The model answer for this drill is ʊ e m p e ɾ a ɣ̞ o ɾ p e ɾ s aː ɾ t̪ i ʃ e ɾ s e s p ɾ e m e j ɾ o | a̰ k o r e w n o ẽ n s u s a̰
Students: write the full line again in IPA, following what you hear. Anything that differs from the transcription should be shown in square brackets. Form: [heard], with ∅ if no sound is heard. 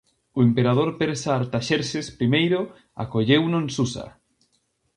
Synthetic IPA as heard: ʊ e m p e ɾ a [ð̞] o ɾ p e ɾ s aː ɾ t̪ [a] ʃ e ɾ s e s p ɾ [i] m e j ɾ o | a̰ k o [ʎ] e w n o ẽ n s u s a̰